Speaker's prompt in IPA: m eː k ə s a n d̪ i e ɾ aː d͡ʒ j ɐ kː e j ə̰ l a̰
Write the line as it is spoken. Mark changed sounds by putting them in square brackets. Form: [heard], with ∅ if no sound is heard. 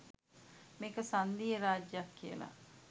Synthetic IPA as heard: m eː k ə s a n d̪ i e ɾ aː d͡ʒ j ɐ kː [i] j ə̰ l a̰